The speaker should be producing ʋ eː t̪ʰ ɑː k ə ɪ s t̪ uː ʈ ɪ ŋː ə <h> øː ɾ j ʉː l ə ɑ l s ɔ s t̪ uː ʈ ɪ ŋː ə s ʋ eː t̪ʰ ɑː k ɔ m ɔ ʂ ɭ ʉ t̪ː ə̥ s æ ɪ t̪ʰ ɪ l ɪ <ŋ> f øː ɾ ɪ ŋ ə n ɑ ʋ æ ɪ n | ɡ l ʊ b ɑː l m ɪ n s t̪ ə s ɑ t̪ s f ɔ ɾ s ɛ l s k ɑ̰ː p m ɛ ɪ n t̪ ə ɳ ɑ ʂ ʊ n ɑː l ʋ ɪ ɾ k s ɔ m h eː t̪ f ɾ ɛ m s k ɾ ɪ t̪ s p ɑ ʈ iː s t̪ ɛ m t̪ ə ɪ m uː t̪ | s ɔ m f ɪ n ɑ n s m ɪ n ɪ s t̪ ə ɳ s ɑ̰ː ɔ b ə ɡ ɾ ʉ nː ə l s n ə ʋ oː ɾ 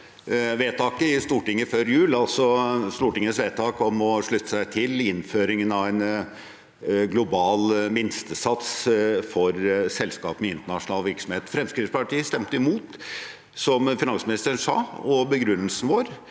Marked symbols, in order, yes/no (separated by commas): no, no